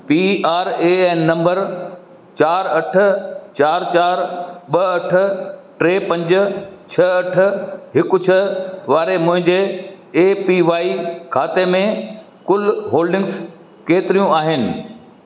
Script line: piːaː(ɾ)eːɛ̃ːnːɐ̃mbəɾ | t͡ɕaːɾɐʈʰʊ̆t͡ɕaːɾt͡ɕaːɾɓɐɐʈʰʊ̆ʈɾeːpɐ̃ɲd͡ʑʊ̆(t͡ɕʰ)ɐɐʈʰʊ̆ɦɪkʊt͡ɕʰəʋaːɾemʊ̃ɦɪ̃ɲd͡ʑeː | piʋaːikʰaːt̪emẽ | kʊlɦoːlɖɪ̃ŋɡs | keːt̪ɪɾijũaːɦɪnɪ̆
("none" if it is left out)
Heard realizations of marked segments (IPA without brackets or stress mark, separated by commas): ɾ, t͡ɕʰ